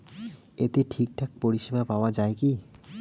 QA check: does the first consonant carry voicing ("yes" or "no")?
no